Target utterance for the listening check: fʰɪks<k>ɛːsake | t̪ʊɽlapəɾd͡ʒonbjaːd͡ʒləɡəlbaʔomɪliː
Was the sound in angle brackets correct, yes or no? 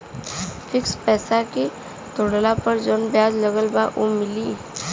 no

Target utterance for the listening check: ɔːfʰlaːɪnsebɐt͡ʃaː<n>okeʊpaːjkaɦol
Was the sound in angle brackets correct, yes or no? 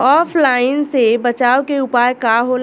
no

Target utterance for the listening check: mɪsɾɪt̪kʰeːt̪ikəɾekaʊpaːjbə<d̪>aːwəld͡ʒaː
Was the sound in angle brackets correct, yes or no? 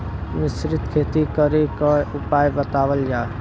no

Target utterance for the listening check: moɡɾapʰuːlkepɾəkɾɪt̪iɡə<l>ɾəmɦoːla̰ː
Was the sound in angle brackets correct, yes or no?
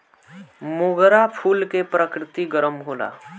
no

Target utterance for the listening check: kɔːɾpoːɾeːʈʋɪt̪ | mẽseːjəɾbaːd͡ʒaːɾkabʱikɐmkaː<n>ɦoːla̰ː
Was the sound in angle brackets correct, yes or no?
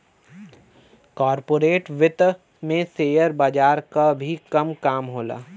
no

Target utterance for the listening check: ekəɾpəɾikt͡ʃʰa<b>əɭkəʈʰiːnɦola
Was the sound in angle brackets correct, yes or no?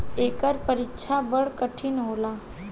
yes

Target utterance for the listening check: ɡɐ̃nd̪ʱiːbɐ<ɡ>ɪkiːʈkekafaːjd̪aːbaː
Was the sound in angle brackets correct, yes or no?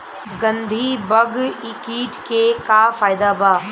yes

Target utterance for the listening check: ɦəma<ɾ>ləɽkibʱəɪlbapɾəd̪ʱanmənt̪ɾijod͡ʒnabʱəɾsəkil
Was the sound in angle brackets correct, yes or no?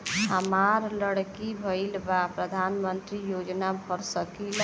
yes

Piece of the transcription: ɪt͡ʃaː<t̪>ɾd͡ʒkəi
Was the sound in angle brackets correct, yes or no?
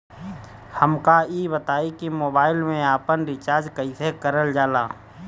no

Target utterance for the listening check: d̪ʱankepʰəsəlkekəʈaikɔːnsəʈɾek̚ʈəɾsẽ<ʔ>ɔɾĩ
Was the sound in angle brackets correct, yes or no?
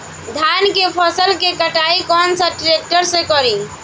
no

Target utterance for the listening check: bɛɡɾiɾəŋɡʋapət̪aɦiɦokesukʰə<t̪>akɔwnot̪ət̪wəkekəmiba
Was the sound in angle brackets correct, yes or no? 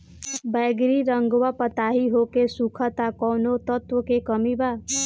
yes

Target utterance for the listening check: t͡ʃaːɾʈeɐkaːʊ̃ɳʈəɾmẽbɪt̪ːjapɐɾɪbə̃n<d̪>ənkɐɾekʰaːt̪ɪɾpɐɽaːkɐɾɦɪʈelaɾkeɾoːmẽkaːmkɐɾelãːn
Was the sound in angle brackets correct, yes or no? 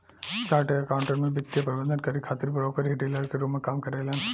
yes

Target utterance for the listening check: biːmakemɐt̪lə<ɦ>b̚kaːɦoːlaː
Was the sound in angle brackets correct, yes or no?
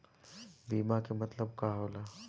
no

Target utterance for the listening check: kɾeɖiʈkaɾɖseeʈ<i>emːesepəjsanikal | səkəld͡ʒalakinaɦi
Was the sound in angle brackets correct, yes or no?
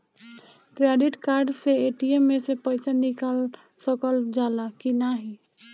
yes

